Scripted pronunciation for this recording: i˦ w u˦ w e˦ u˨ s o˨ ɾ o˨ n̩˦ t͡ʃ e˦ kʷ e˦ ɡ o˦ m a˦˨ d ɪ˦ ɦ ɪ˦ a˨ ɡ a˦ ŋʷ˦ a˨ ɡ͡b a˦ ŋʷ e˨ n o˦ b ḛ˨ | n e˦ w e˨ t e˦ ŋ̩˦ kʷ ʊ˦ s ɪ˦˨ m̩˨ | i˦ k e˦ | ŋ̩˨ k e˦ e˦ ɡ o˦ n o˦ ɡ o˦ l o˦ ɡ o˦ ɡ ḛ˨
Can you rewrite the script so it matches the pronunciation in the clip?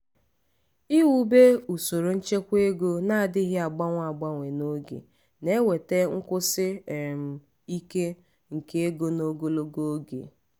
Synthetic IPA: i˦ w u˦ b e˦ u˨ s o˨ ɾ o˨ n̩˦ t͡ʃ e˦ kʷ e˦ ɡ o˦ n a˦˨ d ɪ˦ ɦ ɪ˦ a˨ ɡ͡b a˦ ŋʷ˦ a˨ ɡ͡b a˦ ŋʷ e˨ n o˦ ɡ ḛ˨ | n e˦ w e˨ t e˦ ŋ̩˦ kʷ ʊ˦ s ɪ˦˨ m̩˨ | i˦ k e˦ | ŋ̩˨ k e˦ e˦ ɡ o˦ n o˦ ɡ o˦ l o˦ ɡ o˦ ɡ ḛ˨